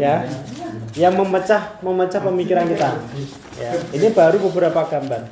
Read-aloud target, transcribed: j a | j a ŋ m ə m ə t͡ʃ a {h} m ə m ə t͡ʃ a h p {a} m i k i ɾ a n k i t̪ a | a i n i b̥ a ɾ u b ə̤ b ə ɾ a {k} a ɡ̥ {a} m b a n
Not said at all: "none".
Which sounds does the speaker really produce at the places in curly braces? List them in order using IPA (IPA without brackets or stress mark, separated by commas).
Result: h, ə, p, a